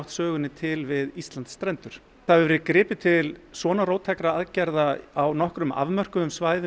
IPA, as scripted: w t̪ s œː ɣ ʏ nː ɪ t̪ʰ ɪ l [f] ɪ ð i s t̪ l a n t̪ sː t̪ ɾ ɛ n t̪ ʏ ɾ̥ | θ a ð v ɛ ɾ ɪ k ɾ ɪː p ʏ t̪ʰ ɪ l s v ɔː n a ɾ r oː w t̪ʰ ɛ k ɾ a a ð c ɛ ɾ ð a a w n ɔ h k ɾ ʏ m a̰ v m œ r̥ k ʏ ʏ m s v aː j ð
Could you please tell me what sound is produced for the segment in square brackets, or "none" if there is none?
v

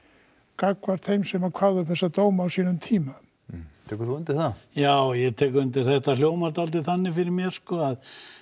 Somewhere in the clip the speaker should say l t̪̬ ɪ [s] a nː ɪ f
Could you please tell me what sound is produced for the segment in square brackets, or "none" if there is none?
θ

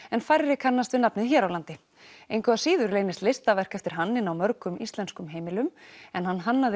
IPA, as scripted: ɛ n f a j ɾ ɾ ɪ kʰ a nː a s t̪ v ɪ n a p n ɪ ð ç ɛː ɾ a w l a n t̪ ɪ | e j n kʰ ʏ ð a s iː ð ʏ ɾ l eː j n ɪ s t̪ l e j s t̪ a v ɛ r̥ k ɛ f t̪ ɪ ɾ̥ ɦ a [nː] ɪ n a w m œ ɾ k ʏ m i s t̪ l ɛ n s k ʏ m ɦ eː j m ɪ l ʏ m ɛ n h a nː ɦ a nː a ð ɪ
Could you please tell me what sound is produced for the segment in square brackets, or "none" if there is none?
nː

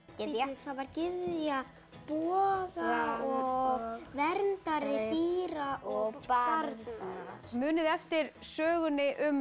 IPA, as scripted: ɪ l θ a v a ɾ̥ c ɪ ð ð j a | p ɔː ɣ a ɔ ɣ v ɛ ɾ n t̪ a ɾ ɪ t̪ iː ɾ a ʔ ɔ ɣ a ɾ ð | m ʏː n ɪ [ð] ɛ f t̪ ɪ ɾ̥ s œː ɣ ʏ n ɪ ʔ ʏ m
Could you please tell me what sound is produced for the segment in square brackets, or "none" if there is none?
ð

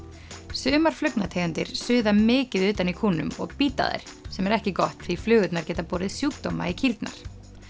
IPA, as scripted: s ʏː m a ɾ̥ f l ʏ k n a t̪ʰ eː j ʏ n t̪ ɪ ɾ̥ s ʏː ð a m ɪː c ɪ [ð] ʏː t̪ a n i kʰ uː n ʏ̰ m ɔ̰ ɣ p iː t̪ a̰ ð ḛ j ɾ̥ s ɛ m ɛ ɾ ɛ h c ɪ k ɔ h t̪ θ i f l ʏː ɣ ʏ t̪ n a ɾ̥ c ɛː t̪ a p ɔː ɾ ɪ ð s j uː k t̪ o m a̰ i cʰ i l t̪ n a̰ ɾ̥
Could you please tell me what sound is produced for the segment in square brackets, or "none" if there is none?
ð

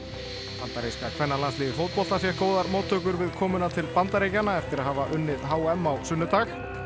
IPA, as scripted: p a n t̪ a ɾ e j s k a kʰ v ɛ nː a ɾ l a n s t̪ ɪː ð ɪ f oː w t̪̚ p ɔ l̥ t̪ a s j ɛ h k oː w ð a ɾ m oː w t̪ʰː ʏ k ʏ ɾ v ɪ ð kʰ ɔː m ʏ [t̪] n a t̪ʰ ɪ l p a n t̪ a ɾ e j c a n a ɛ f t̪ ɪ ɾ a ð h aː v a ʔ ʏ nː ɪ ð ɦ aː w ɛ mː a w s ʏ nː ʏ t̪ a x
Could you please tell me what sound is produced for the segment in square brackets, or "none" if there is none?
none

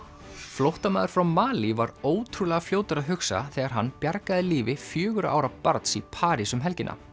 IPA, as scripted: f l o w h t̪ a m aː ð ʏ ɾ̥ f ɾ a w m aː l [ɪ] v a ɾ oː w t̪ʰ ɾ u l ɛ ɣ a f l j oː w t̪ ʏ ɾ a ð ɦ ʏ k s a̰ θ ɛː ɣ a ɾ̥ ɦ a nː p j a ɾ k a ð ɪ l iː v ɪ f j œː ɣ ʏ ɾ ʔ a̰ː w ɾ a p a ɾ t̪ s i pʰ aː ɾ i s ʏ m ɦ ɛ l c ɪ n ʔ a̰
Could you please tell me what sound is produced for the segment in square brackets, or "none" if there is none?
i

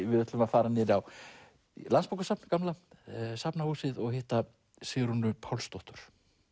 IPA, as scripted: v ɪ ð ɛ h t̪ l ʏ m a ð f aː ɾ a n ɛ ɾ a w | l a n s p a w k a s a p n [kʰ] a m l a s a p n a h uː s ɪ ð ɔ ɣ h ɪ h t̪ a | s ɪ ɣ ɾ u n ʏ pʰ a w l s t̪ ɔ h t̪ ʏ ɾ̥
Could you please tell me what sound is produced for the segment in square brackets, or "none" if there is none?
k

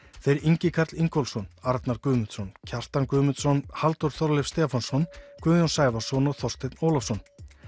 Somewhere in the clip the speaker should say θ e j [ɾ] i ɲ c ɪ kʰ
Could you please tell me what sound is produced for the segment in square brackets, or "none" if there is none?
ɾ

